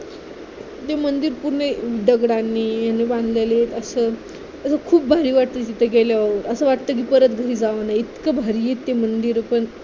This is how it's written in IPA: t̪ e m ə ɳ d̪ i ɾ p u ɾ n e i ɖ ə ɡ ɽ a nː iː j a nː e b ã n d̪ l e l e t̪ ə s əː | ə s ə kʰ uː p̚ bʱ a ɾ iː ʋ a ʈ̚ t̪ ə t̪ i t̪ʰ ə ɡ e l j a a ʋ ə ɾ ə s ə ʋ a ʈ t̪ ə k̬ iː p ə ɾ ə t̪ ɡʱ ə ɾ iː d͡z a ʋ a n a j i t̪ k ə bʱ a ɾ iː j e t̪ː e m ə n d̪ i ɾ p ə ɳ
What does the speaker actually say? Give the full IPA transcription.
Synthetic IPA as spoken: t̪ e m ə n d̪ i ɾ p u ɾ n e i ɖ ə ɡ ɽ a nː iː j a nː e b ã n d̪ l e l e t̪ ə s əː | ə s ə kʰ uː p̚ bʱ a ɾ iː ʋ a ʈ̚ t̪ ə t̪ i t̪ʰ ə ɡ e l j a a ʋ ə ɾ ə s ə ʋ a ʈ t̪ ə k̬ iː p ə ɾ ə t̪ ɡʱ ə ɾ iː d͡z a ʋ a n a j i t̪ k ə bʱ a ɾ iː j e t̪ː e m ə n d̪ i ɾ p ə ɳ